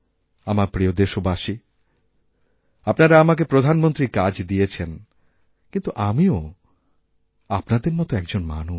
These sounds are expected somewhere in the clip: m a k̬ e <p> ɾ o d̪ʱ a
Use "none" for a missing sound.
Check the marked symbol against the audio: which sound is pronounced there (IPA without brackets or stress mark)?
p